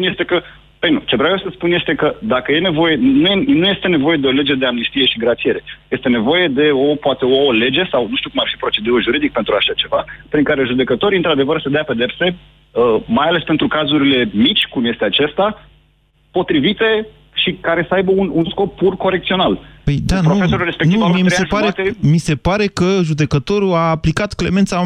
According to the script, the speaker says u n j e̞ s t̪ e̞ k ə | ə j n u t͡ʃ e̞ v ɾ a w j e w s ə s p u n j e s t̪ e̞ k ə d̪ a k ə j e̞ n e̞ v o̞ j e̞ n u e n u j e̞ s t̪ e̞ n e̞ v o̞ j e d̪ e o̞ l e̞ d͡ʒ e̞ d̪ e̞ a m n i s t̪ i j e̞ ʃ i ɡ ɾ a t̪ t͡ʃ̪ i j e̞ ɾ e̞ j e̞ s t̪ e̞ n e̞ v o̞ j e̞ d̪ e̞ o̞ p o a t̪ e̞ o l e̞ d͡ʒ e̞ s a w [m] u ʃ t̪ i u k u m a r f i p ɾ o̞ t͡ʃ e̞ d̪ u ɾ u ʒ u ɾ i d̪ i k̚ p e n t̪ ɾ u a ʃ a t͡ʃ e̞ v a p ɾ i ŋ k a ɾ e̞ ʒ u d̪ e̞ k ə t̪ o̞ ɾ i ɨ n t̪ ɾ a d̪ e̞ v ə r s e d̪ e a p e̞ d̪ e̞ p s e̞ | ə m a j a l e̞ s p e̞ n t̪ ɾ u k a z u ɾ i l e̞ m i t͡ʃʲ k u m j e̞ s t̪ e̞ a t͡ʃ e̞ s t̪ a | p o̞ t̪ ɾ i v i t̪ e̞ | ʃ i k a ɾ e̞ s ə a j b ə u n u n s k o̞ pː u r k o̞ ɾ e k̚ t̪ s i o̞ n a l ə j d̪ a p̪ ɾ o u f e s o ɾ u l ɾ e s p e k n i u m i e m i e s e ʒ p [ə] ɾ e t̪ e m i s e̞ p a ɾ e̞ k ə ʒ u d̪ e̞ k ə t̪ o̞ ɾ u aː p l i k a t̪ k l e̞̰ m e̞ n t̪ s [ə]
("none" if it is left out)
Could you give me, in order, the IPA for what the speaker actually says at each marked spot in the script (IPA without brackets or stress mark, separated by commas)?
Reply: n, a, a